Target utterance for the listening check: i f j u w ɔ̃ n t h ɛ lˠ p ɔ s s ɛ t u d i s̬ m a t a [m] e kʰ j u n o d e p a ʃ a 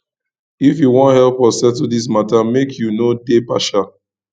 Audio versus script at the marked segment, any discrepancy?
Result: no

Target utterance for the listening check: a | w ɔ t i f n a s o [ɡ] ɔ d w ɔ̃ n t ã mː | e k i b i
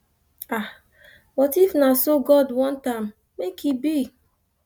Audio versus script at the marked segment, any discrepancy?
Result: no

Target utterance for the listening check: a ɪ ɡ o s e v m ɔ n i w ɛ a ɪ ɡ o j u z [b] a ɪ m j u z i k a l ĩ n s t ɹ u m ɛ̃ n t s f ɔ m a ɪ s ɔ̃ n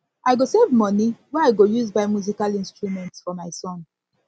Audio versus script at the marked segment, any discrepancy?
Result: no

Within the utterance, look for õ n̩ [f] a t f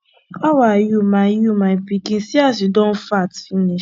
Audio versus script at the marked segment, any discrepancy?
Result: no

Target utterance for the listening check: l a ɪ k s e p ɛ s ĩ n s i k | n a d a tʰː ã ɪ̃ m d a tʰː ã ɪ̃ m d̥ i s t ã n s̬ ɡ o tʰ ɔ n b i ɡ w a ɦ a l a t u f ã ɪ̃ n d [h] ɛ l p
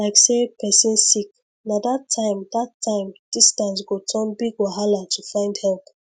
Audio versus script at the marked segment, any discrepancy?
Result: no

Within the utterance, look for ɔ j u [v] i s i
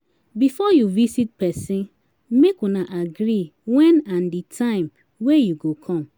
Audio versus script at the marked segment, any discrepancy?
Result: no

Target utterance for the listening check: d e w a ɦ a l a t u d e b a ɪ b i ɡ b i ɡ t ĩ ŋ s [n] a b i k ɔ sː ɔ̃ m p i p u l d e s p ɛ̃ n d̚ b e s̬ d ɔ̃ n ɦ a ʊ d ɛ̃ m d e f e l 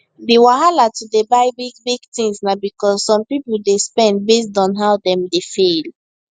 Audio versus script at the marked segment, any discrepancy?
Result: no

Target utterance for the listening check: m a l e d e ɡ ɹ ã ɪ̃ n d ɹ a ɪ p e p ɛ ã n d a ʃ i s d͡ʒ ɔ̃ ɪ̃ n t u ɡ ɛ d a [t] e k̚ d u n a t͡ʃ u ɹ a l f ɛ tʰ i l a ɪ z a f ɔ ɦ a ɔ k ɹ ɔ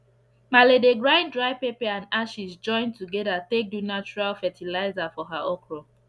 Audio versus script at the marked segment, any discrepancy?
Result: no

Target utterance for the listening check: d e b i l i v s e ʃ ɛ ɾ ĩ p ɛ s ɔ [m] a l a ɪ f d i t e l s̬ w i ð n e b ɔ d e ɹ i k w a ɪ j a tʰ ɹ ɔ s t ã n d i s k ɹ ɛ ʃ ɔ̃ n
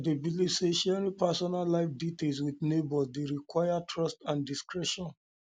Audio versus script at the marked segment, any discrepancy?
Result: yes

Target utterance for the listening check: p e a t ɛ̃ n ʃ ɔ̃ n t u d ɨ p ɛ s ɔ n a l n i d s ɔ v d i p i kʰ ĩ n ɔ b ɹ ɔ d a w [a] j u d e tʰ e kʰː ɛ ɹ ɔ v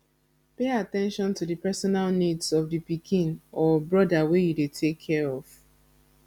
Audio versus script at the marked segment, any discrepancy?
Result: yes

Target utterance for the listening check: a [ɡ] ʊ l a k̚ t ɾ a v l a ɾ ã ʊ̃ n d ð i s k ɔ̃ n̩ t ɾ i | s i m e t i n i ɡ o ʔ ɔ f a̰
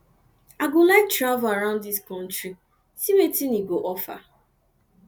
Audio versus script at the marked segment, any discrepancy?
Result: no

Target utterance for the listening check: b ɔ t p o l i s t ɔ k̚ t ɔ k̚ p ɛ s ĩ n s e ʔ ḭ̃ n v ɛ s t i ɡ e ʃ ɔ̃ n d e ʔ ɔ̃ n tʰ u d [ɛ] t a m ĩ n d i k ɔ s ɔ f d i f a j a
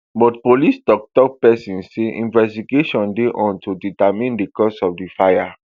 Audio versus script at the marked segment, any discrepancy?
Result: yes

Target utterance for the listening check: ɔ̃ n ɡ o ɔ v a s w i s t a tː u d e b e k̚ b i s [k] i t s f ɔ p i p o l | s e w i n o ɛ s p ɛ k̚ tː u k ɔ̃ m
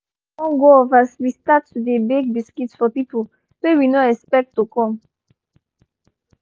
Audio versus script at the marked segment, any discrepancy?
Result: no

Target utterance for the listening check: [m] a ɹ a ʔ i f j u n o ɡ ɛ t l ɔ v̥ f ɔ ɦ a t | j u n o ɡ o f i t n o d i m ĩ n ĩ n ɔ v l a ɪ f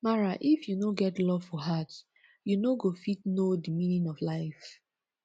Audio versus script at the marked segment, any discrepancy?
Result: no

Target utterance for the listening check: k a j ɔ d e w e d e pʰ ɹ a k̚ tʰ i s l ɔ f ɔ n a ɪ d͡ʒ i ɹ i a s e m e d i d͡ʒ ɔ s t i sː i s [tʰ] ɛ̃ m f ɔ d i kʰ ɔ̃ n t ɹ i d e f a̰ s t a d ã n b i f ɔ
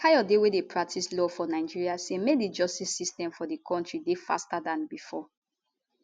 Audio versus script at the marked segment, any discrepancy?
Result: yes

